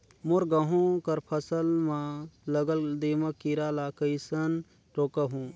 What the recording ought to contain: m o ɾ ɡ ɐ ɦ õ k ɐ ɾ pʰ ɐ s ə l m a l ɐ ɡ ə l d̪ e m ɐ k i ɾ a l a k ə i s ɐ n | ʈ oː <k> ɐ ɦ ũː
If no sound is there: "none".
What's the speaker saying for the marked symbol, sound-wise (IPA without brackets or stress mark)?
k